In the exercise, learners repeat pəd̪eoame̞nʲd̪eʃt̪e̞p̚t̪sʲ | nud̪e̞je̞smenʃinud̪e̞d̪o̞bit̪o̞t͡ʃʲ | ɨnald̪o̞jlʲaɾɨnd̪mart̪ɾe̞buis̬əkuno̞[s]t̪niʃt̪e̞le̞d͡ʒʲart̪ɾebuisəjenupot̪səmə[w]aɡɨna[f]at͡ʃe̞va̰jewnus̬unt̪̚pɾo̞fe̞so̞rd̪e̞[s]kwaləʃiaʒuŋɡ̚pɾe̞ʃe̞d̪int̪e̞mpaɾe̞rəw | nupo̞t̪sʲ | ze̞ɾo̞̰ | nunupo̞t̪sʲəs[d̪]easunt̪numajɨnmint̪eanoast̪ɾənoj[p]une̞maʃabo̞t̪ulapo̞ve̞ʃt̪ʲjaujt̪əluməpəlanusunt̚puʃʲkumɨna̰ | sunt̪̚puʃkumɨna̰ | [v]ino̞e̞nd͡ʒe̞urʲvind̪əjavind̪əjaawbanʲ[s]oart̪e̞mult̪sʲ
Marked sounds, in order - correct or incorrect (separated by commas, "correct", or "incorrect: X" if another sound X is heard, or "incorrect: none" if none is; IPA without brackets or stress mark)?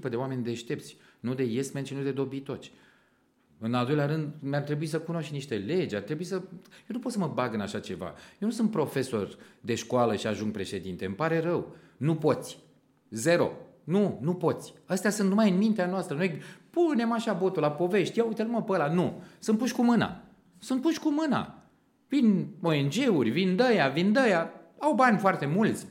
incorrect: ʃ, incorrect: b, incorrect: ʃ, incorrect: ʃ, incorrect: t̪, correct, correct, incorrect: f